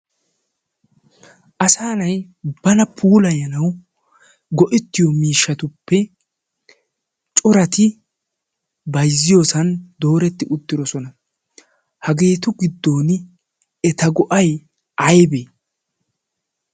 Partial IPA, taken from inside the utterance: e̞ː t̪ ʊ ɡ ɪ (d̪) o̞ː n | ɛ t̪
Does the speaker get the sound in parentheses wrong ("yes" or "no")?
yes